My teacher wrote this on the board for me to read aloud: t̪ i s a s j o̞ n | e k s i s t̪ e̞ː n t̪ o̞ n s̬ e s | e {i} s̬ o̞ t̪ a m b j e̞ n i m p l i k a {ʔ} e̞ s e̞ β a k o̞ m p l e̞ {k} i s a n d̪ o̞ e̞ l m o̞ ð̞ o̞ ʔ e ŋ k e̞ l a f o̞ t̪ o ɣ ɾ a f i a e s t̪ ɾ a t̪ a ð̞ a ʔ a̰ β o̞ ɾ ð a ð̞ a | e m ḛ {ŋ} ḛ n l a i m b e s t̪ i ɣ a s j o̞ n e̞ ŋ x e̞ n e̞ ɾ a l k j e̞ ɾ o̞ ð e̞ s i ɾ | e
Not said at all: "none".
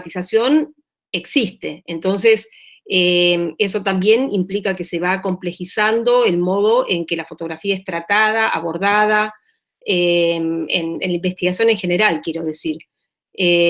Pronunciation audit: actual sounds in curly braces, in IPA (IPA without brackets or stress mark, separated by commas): e, k, x, n